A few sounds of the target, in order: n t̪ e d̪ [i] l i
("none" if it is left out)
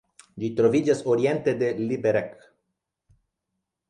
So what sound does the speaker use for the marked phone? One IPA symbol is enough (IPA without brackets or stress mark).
e